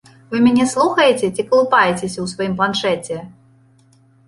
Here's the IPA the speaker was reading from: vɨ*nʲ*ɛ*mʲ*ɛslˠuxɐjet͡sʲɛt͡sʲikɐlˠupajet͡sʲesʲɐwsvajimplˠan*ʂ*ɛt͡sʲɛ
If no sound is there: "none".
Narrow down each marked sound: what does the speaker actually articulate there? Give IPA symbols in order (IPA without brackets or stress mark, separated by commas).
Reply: mʲ, nʲ, ʂ